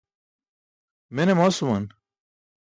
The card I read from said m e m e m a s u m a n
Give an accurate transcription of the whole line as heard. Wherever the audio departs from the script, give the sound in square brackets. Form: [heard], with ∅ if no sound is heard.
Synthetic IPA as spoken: m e [n] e m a s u m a n